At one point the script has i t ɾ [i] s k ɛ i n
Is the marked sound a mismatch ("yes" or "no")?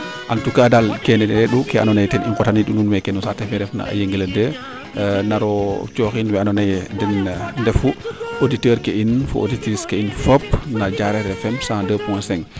no